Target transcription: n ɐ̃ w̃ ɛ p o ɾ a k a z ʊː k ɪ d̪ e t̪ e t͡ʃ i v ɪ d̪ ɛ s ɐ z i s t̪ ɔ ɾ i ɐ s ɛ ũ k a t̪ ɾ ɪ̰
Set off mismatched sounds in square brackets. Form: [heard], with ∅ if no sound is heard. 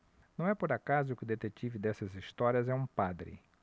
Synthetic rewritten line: n ɐ̃ w̃ ɛ p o ɾ a k a z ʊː k ɪ d̪ e t̪ e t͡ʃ i v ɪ d̪ ɛ s ɐ z i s t̪ ɔ ɾ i ɐ [z] ɛ ũ [p] a [d̪] ɾ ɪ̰